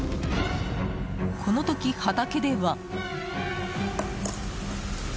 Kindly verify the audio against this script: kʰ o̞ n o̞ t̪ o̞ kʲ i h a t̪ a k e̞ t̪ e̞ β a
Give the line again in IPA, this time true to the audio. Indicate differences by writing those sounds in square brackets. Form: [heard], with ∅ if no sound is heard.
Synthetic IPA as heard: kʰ o̞ n o̞ t̪ o̞ kʲ i h a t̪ a k e̞ [d̪] e̞ β a